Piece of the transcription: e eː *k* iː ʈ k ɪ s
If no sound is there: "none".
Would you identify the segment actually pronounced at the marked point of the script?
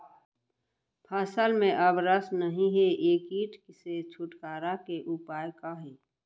k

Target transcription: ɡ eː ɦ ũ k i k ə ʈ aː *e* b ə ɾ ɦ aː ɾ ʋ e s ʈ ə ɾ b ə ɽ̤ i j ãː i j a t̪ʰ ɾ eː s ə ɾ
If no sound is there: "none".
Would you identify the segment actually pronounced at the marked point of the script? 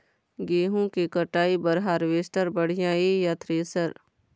i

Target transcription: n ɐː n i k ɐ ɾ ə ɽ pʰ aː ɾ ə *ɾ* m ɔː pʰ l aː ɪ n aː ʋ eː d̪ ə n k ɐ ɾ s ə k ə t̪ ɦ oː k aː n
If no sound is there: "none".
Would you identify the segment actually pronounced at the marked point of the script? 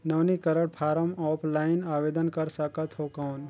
none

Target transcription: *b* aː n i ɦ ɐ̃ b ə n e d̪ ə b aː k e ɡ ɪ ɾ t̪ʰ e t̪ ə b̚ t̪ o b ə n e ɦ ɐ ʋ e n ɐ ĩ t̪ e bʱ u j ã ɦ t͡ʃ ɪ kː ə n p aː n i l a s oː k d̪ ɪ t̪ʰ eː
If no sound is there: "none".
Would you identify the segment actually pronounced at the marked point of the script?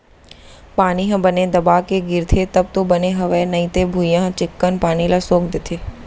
p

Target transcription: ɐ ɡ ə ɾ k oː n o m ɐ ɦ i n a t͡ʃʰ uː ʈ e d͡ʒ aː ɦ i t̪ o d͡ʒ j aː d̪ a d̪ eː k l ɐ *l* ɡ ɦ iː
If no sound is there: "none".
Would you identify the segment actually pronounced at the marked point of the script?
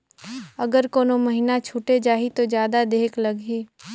none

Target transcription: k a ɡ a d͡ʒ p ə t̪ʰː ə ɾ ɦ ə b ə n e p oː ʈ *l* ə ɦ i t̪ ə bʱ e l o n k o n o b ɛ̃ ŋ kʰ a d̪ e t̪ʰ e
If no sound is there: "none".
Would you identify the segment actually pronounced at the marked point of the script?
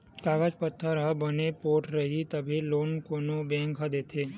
ɾ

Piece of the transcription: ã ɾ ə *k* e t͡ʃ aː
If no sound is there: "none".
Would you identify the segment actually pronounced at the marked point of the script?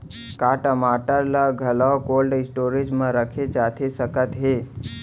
kʰ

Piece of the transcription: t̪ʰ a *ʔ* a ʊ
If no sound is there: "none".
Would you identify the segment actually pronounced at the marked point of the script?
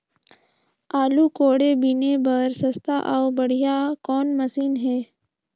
ʔ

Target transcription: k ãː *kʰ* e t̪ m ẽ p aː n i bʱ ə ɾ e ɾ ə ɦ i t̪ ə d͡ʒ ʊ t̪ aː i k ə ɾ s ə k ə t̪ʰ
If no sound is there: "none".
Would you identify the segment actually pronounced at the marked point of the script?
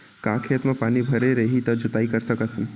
kʰ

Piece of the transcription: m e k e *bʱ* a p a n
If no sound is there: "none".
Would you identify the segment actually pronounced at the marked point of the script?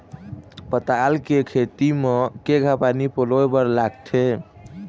ɡʱ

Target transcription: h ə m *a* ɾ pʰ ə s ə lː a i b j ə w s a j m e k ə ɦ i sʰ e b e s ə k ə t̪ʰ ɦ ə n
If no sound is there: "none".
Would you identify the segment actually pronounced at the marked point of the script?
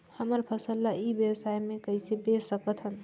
ə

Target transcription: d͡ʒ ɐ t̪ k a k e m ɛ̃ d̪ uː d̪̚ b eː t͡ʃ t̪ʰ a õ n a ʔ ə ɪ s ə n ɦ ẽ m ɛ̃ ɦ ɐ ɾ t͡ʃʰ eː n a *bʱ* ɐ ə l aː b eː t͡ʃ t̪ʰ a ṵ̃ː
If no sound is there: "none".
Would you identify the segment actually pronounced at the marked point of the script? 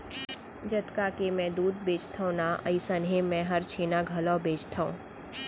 ɡʱ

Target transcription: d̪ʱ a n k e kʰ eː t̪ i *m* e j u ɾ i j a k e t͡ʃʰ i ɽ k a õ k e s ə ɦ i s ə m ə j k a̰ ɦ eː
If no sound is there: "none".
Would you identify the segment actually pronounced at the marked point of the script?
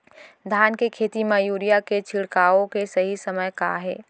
m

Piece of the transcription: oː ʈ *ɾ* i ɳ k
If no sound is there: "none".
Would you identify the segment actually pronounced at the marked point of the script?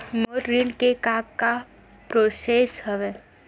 ɾ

